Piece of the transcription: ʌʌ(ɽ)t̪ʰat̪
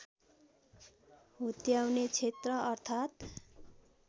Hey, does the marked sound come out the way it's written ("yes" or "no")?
no